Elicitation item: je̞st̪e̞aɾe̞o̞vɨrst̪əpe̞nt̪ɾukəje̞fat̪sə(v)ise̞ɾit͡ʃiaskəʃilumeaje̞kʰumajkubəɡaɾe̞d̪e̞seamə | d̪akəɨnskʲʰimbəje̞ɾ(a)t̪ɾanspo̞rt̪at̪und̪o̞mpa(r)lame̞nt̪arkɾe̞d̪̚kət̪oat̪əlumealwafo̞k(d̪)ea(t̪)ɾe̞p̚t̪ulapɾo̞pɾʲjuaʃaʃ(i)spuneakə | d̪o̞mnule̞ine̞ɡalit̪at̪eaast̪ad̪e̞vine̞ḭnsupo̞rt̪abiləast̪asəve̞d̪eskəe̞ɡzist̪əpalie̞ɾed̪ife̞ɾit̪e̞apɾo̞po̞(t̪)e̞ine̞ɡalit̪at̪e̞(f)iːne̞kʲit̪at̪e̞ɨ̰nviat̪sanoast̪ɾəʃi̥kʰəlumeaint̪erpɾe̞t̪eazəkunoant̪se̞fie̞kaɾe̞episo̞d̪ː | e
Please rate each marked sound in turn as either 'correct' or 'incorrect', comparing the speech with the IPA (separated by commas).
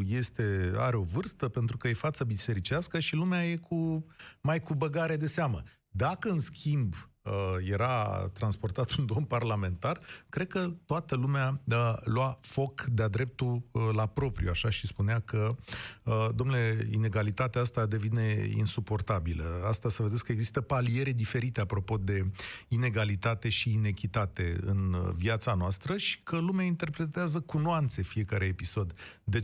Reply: incorrect, correct, correct, correct, incorrect, correct, incorrect, incorrect